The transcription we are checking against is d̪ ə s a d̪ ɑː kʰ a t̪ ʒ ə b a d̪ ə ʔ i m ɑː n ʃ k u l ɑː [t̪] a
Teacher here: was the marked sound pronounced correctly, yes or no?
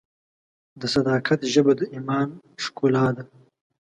no